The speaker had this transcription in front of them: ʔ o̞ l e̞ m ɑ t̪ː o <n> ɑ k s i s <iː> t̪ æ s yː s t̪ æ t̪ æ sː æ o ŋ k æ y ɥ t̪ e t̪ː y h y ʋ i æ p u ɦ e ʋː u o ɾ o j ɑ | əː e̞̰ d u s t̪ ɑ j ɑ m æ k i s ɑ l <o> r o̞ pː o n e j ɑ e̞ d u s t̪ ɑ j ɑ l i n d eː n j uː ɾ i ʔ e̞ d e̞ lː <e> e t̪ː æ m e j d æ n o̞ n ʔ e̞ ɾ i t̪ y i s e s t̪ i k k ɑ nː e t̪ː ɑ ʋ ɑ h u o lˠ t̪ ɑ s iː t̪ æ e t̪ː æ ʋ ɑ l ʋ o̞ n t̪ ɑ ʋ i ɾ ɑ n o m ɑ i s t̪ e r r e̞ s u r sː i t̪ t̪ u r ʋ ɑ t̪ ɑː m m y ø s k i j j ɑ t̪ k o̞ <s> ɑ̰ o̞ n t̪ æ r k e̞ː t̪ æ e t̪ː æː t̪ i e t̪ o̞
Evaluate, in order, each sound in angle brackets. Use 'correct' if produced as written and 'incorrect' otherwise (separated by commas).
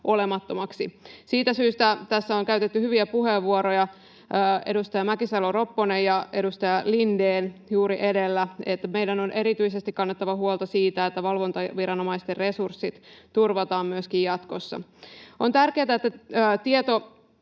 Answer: incorrect, correct, correct, incorrect, incorrect